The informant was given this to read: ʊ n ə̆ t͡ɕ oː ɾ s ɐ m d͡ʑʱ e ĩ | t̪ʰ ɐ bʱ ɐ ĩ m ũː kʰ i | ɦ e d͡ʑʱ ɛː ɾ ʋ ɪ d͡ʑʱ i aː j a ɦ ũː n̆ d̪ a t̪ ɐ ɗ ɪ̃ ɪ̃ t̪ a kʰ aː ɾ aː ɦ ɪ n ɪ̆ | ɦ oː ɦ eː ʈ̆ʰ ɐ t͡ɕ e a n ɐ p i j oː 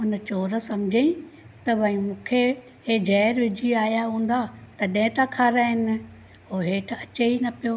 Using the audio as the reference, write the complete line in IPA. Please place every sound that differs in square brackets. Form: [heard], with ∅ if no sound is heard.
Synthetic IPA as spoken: ʊ n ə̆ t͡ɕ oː ɾ s ɐ m d͡ʑʱ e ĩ | [t̪] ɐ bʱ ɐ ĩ m ũː kʰ [e] | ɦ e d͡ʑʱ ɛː ɾ ʋ ɪ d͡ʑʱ i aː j a ɦ ũː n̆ d̪ a t̪ ɐ ɗ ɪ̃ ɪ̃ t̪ a kʰ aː ɾ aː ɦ ɪ n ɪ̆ | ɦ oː ɦ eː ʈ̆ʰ ɐ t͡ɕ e [i] n ɐ p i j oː